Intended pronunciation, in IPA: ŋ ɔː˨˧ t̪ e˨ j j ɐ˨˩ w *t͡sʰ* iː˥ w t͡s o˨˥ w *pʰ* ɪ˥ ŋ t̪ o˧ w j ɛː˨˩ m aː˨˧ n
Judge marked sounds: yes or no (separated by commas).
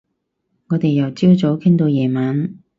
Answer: no, no